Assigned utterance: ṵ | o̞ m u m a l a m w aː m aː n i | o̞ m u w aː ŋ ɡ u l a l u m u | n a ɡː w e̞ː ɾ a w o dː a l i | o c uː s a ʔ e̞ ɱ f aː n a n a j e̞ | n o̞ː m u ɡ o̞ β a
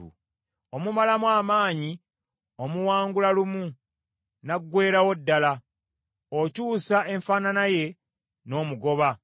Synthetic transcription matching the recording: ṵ | o̞ m u m a l a m w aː m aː ɲ i | o̞ m u w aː ŋ ɡ u l a l u m u | n a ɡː w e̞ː ɾ a w o dː a l a | o c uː s a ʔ e̞ ɱ f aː n a n a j e̞ | n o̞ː m u ɡ o̞ β a